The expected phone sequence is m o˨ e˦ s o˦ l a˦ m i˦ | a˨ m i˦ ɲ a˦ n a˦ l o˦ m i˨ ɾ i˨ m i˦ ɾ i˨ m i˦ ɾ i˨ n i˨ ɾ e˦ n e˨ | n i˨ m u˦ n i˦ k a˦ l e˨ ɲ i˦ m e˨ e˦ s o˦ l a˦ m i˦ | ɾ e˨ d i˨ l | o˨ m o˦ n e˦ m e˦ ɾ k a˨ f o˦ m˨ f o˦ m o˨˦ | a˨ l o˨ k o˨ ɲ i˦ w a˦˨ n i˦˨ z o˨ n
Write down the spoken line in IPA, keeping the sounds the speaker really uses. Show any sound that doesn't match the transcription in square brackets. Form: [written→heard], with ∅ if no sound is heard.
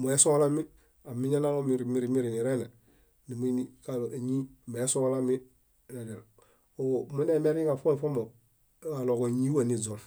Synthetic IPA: m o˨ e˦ s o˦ l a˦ m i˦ | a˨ m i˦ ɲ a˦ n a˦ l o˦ m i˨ ɾ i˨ m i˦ ɾ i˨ m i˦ ɾ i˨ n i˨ ɾ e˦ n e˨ | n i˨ m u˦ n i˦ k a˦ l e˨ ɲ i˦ m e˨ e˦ s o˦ l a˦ m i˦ | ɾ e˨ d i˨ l | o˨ m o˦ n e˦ m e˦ ɾ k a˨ f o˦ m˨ f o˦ m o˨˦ | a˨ l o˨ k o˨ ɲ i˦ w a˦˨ n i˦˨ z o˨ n